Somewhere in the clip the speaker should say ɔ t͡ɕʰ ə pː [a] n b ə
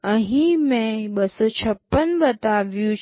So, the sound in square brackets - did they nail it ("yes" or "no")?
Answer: no